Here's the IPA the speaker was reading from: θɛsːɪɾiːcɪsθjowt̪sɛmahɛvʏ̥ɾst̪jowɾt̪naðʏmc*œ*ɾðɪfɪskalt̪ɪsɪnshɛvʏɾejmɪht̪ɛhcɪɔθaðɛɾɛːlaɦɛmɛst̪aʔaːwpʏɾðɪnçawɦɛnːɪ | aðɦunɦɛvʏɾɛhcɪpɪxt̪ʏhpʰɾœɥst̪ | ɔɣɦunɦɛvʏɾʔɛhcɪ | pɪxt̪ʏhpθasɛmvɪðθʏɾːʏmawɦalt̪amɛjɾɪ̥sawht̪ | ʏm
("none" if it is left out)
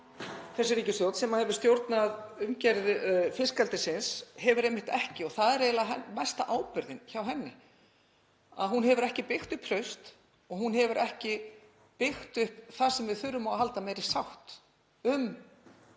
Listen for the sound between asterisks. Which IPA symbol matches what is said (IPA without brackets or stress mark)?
ɛ